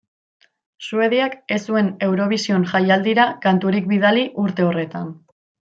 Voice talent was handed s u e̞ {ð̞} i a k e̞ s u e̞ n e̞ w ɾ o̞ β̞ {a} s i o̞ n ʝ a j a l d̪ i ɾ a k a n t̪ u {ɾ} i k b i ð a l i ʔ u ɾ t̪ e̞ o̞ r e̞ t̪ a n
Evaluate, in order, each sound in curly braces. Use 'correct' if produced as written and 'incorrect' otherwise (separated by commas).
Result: correct, incorrect, correct